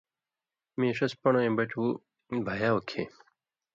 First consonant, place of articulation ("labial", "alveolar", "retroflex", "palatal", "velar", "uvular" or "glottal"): labial